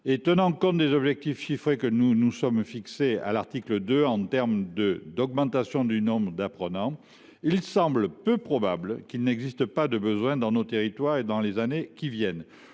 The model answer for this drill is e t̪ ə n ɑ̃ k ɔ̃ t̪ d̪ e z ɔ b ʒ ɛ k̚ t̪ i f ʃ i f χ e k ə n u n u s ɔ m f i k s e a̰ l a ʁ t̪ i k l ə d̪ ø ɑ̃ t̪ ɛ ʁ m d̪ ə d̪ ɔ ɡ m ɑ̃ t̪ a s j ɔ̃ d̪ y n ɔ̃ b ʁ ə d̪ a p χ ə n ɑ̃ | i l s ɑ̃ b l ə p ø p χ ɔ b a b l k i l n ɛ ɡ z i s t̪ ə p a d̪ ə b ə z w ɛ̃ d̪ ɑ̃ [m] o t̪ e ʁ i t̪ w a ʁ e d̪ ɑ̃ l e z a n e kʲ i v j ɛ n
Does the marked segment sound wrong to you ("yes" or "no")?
yes